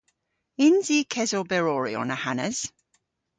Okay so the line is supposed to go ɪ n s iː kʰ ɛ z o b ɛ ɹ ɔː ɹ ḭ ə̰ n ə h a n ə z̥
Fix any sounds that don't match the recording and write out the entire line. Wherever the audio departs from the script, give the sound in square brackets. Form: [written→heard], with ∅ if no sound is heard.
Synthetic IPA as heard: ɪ n [s→z] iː kʰ ɛ z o b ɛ ɹ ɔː ɹ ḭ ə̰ n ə h a n ə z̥